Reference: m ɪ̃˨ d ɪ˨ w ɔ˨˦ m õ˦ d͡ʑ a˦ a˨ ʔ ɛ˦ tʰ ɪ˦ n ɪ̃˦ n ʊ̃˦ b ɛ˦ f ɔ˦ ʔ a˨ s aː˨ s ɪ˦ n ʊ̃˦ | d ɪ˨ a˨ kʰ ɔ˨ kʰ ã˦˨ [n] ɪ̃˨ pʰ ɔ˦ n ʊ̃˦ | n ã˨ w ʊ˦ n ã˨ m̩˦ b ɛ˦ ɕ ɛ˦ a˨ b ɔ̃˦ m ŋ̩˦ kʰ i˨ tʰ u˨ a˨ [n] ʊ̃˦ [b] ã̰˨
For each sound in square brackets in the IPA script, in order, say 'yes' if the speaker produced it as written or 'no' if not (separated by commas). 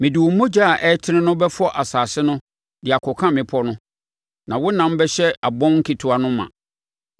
no, yes, no